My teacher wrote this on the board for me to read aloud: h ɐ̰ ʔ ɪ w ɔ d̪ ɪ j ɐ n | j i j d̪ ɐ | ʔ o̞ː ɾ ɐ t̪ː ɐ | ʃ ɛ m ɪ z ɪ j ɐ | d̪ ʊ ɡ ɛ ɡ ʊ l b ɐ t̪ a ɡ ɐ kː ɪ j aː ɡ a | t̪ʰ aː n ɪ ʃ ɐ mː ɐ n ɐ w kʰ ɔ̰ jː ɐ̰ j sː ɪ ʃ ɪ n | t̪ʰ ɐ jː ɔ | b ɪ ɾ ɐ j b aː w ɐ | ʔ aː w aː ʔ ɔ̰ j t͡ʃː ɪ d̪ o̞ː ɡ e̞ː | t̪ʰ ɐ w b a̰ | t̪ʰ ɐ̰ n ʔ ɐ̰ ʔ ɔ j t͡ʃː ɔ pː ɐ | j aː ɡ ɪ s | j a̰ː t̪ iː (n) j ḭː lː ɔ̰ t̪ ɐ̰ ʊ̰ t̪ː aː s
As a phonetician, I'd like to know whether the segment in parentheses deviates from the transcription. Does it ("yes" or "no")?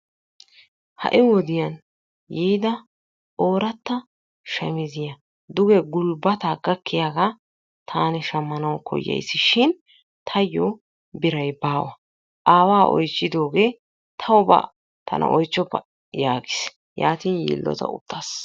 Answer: no